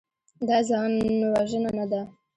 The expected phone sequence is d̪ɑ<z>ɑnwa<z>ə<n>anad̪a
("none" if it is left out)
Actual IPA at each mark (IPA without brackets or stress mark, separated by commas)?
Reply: z, ʒ, n